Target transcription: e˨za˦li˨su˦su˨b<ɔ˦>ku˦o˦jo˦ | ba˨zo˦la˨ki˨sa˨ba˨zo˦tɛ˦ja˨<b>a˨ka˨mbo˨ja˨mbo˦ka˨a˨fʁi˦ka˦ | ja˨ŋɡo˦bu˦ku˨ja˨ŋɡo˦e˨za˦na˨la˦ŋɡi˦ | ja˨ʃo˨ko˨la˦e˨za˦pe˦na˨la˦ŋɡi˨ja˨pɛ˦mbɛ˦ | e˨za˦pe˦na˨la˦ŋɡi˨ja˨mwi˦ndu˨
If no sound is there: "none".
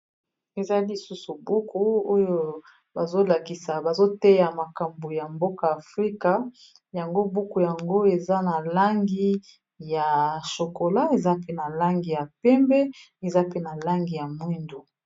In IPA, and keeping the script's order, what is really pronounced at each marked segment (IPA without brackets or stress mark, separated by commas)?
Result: u˦, m